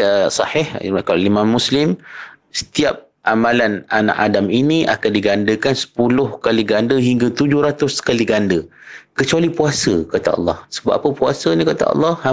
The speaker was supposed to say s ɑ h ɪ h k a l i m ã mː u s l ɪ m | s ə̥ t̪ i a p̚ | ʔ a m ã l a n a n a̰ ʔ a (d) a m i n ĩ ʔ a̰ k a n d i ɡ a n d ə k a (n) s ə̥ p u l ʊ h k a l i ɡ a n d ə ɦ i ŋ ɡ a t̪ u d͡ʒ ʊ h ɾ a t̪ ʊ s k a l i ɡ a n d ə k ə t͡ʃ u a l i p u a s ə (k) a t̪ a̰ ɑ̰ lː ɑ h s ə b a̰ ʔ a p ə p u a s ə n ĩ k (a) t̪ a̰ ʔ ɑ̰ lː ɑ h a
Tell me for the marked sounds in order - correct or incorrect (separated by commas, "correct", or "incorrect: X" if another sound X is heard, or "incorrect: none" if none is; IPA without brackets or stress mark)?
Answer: correct, correct, correct, correct